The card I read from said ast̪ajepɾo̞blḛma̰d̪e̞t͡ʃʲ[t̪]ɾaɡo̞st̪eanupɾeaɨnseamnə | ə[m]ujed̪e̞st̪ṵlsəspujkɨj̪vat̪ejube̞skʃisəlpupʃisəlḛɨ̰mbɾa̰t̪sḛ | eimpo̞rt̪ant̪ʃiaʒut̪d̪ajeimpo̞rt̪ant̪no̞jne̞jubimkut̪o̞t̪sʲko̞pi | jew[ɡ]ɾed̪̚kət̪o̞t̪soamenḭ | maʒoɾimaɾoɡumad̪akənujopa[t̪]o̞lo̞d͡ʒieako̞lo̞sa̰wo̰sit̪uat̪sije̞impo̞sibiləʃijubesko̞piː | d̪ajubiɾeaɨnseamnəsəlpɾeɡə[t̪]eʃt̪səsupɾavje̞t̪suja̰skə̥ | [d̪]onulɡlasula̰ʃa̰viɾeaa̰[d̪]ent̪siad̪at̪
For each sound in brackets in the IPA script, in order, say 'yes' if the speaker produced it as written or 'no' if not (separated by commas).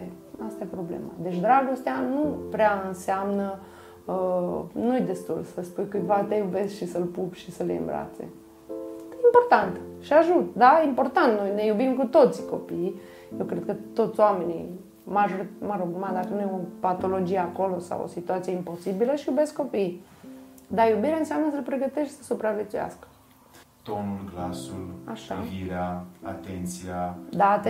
no, no, no, yes, yes, no, no